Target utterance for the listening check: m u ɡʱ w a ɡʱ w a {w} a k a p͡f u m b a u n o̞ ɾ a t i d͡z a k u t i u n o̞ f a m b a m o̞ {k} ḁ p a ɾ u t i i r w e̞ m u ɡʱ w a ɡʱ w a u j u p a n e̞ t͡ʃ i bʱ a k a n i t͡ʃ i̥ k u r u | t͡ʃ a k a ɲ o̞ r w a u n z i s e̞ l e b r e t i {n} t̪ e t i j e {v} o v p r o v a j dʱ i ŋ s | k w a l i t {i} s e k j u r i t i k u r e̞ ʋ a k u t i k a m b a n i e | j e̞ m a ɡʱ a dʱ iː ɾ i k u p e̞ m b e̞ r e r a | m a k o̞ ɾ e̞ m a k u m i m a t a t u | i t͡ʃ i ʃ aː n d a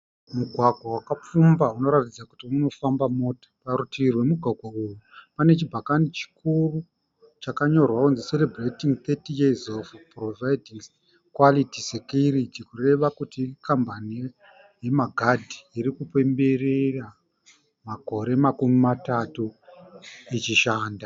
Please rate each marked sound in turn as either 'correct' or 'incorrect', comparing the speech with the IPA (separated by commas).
correct, incorrect, incorrect, incorrect, correct